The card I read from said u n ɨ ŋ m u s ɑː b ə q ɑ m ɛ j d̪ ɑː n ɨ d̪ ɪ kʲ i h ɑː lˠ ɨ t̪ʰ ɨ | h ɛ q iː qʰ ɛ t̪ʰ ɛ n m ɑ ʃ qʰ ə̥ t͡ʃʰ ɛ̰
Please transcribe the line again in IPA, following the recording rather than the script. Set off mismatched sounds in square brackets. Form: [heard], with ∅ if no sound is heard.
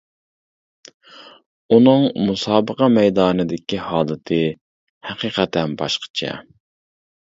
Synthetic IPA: u n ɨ ŋ m u s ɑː b ə q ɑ m ɛ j d̪ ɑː n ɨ d̪ ɪ kʲ i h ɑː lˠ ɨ t̪ʰ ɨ | h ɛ q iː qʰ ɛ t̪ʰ ɛ n [b] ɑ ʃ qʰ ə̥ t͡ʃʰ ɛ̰

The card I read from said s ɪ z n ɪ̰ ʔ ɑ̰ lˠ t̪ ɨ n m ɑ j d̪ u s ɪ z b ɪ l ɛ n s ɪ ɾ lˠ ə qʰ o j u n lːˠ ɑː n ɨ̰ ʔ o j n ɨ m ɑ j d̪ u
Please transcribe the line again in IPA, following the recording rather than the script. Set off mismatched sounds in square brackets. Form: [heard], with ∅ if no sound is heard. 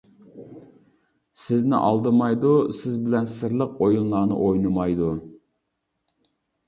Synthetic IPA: s ɪ z n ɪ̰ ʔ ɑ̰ lˠ [d̪] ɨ [∅] m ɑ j d̪ u s ɪ z b ɪ l ɛ n s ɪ ɾ lˠ ə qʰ o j u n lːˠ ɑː n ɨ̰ ʔ o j n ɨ m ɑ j d̪ u

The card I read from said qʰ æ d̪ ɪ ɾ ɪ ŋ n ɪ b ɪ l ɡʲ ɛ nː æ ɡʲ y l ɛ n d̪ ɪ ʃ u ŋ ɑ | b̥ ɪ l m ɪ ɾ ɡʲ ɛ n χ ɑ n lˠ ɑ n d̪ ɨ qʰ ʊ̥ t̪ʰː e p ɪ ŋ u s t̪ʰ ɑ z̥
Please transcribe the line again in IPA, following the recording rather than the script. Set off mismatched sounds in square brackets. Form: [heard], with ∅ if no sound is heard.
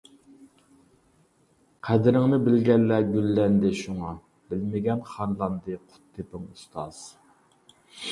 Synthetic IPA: qʰ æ d̪ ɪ ɾ ɪ ŋ n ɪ b ɪ l ɡʲ ɛ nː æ ɡʲ y [lː] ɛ n d̪ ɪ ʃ u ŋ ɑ | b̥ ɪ l m ɪ [∅] ɡʲ ɛ n χ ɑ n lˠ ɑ n d̪ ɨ qʰ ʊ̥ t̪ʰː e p ɪ ŋ u s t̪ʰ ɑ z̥

